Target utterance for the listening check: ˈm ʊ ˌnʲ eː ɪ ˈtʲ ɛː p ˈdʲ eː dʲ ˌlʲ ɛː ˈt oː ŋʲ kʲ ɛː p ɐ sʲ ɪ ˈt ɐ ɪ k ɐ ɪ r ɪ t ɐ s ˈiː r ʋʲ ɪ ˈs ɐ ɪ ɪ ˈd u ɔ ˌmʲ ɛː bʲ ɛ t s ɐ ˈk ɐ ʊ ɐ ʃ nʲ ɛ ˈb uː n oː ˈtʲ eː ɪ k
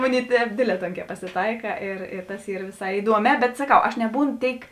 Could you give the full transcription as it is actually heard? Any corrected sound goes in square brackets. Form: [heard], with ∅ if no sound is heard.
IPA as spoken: ˈm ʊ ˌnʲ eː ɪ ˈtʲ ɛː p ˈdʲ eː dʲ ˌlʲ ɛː ˈt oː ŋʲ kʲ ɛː p ɐ sʲ ɪ ˈt ɐ ɪ k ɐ ɪ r ɪ t ɐ s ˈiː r ʋʲ ɪ ˈs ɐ ɪ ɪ ˈd u ɔ ˌmʲ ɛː bʲ ɛ t s ɐ ˈk ɐ ʊ ɐ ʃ nʲ ɛ ˈb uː n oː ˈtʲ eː ɪ k